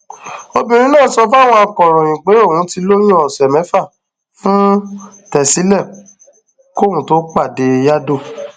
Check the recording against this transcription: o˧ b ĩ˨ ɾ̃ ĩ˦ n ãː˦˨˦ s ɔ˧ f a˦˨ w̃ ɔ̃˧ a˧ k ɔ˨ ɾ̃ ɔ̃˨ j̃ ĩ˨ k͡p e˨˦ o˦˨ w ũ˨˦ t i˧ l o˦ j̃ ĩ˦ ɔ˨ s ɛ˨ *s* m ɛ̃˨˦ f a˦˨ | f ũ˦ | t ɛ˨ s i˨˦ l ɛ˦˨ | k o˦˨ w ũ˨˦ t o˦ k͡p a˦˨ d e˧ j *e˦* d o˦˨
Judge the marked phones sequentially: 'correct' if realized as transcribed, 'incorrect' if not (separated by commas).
incorrect, incorrect